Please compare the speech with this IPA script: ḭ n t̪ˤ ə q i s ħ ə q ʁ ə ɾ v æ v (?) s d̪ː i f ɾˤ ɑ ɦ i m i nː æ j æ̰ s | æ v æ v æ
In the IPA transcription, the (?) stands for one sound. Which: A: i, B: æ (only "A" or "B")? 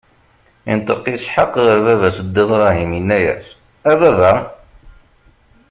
B